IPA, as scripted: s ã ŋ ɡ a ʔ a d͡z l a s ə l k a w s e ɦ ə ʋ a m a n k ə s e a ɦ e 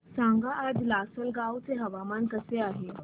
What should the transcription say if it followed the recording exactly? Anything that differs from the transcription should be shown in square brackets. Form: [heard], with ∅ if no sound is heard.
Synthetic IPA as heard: s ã ŋ ɡ a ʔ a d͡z l a s ə l [ɡ] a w [t͡s] e ɦ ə ʋ a m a n k ə s e a ɦ e